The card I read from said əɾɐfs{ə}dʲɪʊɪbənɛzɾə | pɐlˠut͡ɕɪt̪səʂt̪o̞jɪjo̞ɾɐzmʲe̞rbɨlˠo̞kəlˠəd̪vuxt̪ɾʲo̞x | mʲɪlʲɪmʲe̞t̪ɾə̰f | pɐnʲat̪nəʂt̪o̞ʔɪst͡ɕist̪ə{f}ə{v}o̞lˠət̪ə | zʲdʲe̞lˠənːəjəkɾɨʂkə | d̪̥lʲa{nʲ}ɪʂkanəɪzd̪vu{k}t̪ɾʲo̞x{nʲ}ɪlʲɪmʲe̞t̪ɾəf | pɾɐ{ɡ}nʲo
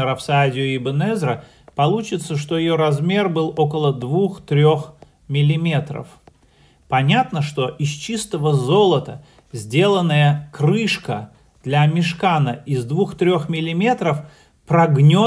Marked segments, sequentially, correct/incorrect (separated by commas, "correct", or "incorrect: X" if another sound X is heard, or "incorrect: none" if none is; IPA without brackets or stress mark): incorrect: a, incorrect: v, incorrect: z, incorrect: mʲ, incorrect: x, incorrect: mʲ, correct